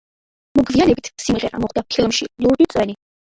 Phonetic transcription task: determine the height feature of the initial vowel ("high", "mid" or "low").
mid